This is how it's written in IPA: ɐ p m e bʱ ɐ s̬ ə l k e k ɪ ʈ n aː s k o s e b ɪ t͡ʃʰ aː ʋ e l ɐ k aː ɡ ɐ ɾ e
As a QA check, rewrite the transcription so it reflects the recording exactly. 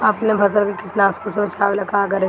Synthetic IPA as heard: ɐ p n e bʱ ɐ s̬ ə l k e k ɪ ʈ n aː s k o s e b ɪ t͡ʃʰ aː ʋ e l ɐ k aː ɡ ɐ ɾ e